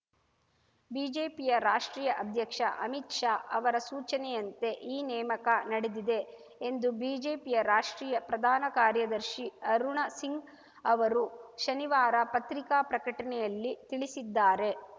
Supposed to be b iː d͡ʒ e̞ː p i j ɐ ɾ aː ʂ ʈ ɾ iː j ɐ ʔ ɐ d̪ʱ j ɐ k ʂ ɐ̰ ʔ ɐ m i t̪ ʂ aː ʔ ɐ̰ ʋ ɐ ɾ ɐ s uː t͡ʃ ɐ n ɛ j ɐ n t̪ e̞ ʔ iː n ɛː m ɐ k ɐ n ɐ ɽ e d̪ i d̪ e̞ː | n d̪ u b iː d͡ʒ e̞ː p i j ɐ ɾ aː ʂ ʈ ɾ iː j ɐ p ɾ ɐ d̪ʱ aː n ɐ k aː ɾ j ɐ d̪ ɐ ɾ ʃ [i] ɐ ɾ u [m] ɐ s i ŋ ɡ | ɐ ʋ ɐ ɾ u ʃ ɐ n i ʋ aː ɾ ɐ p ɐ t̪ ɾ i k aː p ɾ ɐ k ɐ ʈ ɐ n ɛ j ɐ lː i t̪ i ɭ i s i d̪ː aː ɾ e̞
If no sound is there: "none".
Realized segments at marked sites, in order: i, ɳ

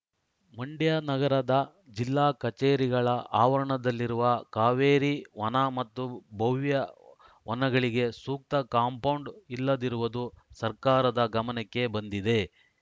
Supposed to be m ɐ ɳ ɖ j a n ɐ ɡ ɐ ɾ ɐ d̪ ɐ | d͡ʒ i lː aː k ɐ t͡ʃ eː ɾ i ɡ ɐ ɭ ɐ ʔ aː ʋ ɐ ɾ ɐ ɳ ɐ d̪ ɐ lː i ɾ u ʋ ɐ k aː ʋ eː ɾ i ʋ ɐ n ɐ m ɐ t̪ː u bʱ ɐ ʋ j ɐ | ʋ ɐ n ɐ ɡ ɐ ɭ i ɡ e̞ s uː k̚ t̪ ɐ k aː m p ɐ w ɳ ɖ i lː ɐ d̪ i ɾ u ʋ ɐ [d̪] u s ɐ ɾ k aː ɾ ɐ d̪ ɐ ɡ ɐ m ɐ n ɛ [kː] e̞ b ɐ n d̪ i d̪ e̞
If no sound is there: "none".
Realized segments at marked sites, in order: d̪, kː

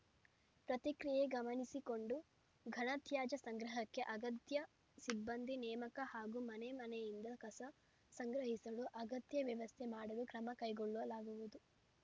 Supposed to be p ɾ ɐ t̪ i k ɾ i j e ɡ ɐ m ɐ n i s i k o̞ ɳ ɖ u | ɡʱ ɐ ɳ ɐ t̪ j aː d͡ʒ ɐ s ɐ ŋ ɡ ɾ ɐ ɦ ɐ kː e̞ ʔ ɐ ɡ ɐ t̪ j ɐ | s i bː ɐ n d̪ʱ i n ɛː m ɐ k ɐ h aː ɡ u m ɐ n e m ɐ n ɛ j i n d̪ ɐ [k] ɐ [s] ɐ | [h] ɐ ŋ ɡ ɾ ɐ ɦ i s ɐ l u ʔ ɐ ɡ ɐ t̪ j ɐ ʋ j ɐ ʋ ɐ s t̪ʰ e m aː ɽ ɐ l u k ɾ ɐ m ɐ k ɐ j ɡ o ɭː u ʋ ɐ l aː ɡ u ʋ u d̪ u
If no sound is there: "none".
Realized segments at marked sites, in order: k, s, s

